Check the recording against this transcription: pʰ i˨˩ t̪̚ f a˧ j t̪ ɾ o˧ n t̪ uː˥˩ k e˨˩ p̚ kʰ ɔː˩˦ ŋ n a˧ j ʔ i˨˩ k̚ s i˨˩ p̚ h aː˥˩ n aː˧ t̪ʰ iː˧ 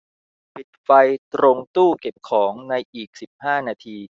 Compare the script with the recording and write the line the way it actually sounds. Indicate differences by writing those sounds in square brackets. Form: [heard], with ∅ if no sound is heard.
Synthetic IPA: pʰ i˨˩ t̪̚ f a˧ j t̪ ɾ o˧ [ŋ] t̪ uː˥˩ k e˨˩ p̚ kʰ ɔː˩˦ ŋ n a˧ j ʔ [iː˨˩] k̚ s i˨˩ p̚ h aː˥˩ n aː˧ t̪ʰ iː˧